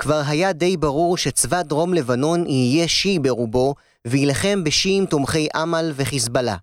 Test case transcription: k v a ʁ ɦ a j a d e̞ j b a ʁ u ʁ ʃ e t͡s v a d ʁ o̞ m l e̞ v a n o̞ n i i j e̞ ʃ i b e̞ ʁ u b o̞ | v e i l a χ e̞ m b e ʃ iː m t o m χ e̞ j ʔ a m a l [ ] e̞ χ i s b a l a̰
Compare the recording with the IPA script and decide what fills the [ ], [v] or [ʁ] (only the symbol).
v